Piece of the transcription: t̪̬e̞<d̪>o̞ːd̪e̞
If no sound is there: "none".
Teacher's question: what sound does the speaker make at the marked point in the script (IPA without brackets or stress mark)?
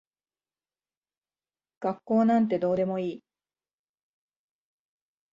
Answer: d̪